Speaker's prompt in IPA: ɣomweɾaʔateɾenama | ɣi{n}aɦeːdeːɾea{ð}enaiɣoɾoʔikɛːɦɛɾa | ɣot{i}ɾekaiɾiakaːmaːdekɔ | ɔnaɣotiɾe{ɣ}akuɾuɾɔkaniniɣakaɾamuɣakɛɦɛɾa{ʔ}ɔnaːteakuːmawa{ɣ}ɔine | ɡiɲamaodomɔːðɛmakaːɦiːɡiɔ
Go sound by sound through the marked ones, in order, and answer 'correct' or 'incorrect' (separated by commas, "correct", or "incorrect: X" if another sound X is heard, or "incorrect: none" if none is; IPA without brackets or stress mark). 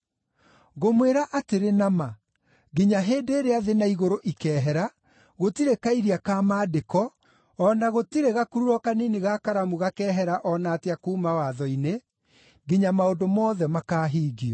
incorrect: ɲ, correct, correct, correct, correct, incorrect: ð